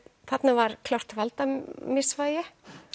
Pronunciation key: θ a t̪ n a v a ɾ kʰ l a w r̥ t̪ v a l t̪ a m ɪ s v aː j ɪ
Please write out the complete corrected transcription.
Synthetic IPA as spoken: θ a t̪ n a v a ɾ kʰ l a w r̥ t̪ v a l t̪ a m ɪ s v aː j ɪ

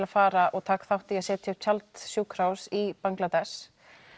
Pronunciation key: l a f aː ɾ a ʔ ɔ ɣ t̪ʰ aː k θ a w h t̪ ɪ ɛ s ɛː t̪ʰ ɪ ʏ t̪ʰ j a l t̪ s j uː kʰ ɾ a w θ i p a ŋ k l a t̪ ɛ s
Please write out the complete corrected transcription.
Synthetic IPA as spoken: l a f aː ɾ a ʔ ɔ ɣ t̪ʰ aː k θ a w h t̪ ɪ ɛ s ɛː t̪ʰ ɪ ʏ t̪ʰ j a l t̪ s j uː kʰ ɾ a w s i p a ŋ k l a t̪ ɛ s

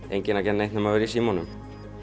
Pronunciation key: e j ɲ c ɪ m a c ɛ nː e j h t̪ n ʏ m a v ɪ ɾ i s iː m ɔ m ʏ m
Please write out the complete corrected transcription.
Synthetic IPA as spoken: e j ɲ c ɪ n a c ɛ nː e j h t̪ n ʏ m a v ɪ ɾ i s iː m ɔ n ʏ m

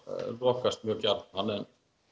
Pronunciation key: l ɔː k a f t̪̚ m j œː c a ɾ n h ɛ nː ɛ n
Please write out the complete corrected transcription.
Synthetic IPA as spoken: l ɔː k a s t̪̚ m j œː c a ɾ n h a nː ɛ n

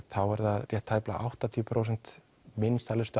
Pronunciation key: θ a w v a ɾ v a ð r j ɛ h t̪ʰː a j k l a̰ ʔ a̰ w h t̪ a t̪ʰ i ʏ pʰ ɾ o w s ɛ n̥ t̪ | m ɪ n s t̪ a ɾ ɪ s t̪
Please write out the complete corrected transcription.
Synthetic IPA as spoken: θ a w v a ɾ ð a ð r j ɛ h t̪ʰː a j p l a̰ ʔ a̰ w h t̪ a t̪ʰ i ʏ pʰ ɾ o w s ɛ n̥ t̪ | m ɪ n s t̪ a l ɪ s t̪

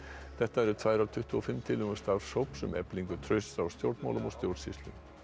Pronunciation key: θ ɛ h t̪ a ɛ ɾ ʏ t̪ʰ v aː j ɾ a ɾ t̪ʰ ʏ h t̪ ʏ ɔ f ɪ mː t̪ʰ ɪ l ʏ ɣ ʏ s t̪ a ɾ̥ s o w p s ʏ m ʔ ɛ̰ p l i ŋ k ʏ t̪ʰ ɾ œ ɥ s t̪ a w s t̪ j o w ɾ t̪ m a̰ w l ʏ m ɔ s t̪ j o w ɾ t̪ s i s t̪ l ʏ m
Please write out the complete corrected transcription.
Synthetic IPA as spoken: θ ɛ h t̪ a ɛ ɾ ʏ t̪ʰ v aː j ɾ a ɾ t̪ʰ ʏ h t̪ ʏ ɔ f ɪ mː t̪ʰ ɪ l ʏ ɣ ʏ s t̪ a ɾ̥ s o w p s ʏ m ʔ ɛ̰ p l i ŋ k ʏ t̪ʰ ɾ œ ɥ s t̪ a w s t̪ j o w ɾ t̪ m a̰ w l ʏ m ɔ s t̪ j o w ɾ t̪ s i s t̪ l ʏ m

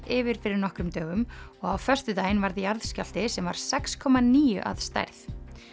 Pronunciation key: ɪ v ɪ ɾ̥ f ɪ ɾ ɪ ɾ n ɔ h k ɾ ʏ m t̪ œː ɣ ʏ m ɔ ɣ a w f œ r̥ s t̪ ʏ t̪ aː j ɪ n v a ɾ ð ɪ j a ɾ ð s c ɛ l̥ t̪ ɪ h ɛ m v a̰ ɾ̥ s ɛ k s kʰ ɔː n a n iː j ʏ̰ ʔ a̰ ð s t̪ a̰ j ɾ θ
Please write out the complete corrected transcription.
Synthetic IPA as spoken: ɪ v ɪ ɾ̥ f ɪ ɾ ɪ ɾ n ɔ h k ɾ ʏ m t̪ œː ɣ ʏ m ɔ ɣ a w f œ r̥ s t̪ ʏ t̪ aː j ɪ n v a ɾ ð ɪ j a ɾ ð s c a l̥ t̪ ɪ s ɛ m v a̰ ɾ̥ s ɛ k s kʰ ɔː m a n iː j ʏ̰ ʔ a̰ ð s t̪ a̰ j ɾ θ

